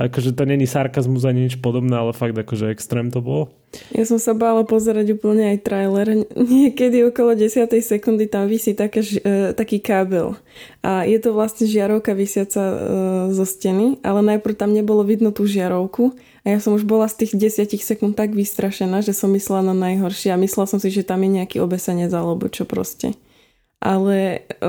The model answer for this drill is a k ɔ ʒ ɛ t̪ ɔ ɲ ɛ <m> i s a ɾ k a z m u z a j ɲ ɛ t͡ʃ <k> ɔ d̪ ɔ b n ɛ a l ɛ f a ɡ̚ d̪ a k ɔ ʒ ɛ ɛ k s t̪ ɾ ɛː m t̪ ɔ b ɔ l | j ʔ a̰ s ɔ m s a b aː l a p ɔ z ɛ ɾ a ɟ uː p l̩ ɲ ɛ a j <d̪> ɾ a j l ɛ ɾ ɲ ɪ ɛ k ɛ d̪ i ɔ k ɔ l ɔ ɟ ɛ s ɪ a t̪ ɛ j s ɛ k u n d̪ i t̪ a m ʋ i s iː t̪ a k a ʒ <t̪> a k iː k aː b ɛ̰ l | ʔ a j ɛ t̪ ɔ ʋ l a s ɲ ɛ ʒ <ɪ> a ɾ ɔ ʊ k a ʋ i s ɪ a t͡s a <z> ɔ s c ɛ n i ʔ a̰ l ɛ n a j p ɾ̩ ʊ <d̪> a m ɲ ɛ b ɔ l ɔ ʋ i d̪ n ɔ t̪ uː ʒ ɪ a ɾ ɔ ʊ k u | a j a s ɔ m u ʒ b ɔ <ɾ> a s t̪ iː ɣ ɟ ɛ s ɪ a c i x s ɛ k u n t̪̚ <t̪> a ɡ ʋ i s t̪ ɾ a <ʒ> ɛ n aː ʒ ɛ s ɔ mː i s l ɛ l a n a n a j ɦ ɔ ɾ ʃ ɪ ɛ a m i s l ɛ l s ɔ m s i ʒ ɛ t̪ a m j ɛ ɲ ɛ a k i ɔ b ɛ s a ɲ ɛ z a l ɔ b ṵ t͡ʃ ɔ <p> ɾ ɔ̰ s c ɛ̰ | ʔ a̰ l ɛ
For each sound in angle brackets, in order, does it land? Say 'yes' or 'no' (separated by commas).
no, no, no, yes, yes, yes, no, no, yes, no, yes